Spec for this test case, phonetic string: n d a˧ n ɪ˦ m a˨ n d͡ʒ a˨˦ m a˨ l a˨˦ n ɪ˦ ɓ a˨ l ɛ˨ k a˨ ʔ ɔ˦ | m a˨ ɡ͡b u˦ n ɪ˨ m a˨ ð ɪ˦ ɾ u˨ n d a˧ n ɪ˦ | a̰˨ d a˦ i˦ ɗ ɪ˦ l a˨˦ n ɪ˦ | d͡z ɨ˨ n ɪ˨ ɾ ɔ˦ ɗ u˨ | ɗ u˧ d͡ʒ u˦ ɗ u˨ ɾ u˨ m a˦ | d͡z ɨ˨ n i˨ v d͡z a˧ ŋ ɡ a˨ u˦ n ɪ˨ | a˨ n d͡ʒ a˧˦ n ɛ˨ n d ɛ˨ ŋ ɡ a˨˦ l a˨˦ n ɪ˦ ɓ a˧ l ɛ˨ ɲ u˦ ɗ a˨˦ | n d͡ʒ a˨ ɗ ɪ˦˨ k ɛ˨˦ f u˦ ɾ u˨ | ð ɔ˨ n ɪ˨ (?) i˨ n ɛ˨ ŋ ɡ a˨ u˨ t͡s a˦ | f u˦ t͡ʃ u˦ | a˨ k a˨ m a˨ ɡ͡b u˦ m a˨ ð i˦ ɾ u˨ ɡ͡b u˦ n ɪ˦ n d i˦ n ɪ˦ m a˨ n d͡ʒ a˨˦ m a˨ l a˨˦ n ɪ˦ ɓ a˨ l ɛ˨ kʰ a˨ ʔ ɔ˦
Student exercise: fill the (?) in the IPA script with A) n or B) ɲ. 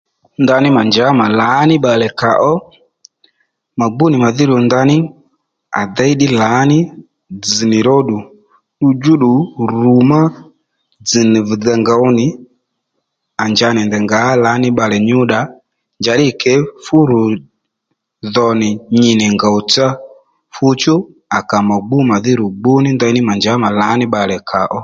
B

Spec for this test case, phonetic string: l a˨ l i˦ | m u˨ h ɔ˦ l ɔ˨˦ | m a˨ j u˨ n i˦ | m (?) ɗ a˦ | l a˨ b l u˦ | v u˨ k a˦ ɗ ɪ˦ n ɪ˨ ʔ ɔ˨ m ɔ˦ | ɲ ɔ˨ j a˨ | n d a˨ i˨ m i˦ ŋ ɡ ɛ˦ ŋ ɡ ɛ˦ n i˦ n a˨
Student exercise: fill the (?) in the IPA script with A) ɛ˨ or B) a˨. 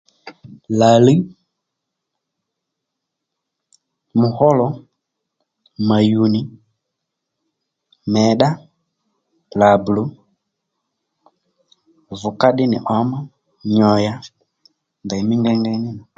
A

